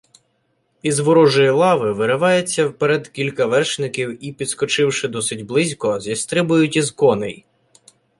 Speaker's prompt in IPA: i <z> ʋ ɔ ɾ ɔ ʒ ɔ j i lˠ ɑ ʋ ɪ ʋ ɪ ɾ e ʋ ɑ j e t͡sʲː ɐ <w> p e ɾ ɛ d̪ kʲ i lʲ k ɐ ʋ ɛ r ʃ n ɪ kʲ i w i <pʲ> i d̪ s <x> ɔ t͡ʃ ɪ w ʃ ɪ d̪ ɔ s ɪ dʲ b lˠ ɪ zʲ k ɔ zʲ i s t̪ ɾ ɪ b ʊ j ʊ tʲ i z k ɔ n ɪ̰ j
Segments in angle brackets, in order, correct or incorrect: correct, correct, correct, incorrect

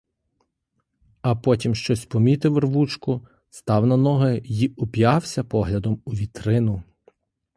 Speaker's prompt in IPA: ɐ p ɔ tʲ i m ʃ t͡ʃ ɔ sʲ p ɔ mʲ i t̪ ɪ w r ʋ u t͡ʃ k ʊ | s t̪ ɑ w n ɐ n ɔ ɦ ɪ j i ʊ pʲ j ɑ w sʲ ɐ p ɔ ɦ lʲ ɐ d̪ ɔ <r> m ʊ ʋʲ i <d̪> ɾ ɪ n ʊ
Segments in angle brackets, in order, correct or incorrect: incorrect, incorrect

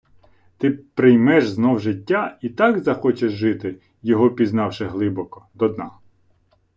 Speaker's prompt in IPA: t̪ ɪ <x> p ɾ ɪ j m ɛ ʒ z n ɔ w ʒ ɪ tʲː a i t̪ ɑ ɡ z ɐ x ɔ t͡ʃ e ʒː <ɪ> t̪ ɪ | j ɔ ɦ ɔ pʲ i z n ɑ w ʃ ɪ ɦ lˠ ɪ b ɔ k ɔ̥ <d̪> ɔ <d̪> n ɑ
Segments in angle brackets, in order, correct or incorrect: incorrect, correct, correct, correct

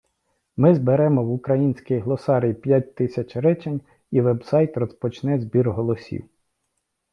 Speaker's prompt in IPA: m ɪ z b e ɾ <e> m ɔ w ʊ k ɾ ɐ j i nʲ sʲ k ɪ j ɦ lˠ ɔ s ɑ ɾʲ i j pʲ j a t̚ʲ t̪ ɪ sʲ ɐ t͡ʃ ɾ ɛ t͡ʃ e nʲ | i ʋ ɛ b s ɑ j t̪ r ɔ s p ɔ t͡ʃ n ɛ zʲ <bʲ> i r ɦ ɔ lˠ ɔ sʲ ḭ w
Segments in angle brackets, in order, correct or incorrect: incorrect, correct

